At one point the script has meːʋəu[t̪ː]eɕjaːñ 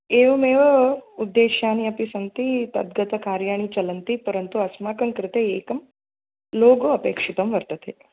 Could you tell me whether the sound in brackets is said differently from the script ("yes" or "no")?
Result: yes